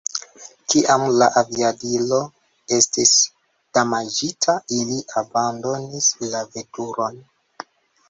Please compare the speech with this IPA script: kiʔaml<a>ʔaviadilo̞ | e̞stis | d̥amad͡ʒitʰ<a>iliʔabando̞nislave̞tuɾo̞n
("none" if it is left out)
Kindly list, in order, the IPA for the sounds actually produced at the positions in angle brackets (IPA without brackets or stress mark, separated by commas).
a, a